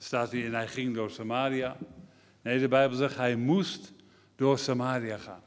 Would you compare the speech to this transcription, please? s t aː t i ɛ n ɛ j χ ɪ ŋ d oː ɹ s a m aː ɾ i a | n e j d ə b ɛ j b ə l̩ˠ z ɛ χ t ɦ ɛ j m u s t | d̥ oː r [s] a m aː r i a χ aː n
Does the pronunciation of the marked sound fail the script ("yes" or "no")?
no